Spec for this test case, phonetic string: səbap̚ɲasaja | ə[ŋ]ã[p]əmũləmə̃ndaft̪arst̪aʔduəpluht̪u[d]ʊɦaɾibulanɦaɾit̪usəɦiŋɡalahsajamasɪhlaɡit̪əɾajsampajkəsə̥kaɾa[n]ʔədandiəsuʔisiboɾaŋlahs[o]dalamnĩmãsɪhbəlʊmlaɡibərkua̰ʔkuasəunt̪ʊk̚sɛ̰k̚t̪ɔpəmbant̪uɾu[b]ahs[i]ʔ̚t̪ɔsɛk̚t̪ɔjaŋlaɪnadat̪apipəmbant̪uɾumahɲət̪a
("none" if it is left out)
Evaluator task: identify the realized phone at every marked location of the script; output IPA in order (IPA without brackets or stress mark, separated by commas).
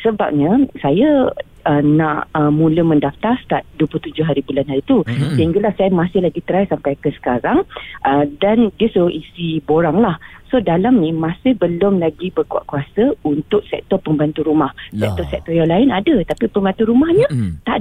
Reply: n, ʔ, d͡ʒ, ŋ, o, m, ɛ